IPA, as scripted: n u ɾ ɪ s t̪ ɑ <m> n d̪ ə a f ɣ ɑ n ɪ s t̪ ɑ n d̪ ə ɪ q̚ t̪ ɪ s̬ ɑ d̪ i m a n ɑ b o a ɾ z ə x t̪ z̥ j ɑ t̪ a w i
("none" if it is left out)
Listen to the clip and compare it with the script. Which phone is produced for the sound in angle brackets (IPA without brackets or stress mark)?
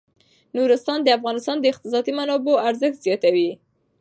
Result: none